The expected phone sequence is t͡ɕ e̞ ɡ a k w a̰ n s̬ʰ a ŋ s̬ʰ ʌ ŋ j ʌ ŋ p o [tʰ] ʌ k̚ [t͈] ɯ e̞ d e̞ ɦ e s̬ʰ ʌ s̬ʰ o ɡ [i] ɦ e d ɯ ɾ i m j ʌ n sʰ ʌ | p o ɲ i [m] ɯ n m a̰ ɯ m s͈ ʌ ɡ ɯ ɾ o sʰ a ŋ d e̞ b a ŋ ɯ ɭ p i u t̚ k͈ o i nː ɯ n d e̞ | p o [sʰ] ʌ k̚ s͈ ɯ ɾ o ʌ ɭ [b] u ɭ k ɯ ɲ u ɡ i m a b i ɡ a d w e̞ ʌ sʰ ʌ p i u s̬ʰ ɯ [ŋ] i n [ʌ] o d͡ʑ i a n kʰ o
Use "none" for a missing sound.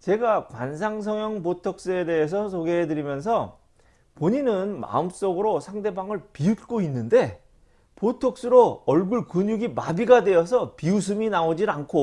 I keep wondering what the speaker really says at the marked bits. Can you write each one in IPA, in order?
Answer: tʰ, s͈, e, n, tʰ, ɡ, m, a

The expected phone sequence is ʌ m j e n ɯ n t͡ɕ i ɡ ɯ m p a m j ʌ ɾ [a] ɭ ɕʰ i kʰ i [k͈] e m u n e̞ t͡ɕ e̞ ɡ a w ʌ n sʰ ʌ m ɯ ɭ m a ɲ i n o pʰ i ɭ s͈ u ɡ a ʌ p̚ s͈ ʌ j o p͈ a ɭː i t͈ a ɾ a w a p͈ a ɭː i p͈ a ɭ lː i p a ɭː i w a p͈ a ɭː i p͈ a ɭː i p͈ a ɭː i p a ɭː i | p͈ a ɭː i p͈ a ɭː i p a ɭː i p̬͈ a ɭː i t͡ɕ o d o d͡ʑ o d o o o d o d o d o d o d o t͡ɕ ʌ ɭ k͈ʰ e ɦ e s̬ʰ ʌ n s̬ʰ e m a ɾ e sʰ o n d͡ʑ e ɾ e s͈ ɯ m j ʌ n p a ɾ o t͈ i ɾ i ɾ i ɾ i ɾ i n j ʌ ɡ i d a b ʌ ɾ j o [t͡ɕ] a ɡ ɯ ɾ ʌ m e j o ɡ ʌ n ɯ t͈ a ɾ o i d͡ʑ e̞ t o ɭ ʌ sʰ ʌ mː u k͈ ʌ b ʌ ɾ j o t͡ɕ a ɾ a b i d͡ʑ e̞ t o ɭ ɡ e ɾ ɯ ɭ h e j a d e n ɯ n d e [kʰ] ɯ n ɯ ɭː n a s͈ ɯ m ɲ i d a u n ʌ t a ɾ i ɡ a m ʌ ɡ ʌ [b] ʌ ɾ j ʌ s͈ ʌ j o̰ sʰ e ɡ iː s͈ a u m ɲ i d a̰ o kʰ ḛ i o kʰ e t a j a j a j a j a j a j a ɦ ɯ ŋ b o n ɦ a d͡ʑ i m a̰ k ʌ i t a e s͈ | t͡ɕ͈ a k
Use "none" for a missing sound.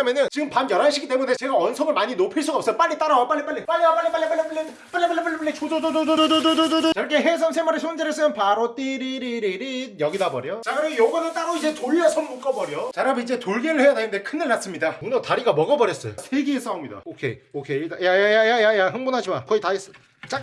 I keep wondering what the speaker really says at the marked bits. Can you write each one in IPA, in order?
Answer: a, t͈, t͡ɕ, kʰ, b

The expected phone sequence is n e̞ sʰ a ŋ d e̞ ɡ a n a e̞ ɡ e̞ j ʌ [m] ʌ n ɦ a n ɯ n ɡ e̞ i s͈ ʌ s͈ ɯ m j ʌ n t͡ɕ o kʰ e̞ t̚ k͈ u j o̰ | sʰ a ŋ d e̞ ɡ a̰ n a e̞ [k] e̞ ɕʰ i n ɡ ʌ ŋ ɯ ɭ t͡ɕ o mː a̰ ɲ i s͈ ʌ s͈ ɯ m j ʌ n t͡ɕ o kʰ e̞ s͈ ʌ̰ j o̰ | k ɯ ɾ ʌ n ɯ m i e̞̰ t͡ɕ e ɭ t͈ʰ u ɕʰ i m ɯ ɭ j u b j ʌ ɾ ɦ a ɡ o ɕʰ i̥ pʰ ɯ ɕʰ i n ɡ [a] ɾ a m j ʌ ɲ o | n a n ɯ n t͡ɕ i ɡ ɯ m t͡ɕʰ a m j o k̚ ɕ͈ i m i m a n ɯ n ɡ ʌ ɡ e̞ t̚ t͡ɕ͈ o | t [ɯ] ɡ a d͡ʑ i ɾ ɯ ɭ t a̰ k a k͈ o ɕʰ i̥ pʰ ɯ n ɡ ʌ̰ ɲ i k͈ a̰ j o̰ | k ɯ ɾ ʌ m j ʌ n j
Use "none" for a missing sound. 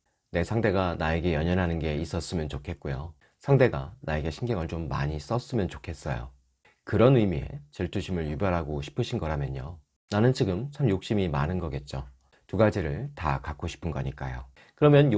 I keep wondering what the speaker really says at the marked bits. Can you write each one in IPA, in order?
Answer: ɲ, ɡ, ʌ, u

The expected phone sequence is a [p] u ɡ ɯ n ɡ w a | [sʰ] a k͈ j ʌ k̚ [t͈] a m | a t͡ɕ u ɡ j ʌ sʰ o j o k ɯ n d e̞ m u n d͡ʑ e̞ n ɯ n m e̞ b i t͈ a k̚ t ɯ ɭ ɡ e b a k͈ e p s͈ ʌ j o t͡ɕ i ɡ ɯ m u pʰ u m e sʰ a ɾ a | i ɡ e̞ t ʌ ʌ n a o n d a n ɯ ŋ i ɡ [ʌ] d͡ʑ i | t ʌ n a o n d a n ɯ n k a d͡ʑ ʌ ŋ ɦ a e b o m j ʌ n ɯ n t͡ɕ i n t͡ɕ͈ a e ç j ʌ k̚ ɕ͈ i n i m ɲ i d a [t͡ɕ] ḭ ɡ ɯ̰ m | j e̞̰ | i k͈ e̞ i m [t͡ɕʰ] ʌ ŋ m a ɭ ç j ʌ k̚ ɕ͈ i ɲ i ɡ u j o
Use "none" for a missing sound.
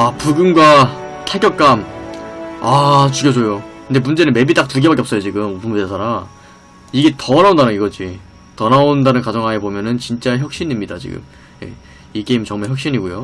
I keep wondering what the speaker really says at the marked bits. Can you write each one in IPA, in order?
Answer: p, tʰ, k͈, ʌ, t͡ɕ, t͡ɕ

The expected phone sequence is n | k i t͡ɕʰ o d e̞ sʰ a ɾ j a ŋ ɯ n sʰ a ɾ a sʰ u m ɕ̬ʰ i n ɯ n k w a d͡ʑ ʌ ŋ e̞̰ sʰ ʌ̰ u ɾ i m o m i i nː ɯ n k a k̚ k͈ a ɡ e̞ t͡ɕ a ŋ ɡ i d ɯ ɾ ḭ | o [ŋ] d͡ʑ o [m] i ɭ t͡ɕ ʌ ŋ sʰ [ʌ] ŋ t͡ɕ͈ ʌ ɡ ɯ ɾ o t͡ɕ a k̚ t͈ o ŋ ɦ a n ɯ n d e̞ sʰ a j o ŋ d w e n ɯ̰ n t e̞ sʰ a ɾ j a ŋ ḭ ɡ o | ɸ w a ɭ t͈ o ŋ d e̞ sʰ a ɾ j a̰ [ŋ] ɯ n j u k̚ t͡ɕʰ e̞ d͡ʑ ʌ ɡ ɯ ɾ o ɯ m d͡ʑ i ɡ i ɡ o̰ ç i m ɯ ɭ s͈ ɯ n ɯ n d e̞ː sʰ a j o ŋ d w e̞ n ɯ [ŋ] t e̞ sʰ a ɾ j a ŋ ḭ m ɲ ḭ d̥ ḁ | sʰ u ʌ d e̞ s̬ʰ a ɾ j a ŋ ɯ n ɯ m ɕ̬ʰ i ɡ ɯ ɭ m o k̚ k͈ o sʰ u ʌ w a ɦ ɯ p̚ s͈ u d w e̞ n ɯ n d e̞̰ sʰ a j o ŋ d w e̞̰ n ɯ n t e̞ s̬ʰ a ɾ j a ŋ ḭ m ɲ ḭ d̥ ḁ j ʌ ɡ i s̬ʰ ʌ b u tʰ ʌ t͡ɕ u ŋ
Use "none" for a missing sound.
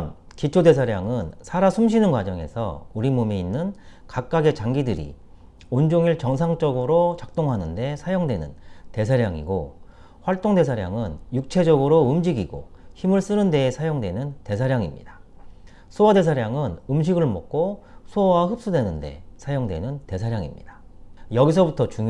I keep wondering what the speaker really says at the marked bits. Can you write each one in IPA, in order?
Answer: n, ŋ, a, ŋ, n

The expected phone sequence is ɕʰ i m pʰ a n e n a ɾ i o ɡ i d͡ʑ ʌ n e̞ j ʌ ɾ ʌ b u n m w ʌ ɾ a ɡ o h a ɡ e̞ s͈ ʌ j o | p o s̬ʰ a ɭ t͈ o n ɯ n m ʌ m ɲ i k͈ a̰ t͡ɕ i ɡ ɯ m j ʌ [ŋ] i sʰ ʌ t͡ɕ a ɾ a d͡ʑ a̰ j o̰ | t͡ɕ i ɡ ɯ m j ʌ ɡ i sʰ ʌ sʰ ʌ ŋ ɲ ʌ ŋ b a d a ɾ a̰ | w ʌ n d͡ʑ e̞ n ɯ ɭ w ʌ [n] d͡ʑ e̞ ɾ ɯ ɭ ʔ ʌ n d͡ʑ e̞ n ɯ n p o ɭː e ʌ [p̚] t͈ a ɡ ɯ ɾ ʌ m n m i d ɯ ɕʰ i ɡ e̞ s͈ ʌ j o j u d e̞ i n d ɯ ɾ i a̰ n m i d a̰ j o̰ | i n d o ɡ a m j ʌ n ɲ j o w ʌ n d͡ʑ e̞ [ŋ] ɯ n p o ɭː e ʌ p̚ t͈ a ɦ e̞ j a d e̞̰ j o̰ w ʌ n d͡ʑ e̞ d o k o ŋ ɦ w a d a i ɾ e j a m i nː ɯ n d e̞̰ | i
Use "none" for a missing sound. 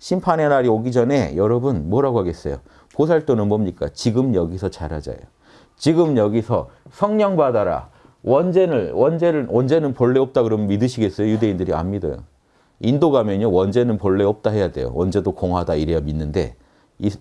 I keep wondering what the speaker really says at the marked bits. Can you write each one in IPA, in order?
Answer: ɡ, n, p̚, n

